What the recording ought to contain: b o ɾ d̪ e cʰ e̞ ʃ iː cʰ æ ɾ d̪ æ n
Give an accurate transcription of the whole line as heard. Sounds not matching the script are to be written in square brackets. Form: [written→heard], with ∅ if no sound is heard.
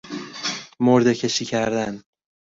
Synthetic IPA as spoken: [b→m] o ɾ d̪ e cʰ e̞ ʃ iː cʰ æ ɾ d̪ æ n